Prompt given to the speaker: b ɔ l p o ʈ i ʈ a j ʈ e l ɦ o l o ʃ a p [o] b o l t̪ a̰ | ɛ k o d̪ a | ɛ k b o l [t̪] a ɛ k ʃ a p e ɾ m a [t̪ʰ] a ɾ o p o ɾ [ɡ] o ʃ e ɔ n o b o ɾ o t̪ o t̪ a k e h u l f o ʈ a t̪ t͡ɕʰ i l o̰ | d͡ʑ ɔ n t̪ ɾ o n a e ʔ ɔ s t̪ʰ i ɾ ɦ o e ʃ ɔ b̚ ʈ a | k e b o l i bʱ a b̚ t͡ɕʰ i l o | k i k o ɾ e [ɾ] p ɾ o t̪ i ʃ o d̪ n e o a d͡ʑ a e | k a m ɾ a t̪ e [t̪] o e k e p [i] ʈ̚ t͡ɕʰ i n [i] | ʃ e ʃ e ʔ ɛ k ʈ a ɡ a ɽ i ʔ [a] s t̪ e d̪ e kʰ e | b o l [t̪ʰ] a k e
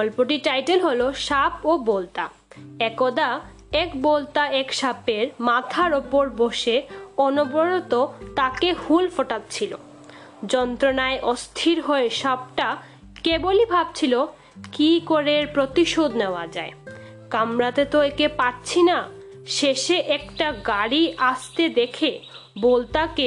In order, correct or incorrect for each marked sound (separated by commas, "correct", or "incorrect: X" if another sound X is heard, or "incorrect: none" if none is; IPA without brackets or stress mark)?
correct, correct, correct, incorrect: b, correct, correct, incorrect: a, incorrect: a, correct, incorrect: t̪